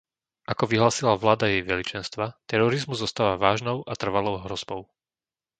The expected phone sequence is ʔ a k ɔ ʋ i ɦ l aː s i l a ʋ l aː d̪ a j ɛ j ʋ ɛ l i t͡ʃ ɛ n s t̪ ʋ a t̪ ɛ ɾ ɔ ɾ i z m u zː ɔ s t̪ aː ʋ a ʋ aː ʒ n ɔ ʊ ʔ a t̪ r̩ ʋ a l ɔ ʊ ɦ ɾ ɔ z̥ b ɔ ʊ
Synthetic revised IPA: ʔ a k ɔ ʋ i ɦ l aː s i l a ʋ l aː d̪ a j ɛ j ʋ ɛ l i t͡ʃ ɛ n s t̪ ʋ a t̪ ɛ ɾ ɔ ɾ i z m u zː ɔ s t̪ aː ʋ a ʋ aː ʒ n ɔ ʊ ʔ a t̪ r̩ ʋ a l ɔ ʊ ɦ ɾ ɔ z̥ b ɔ ʊ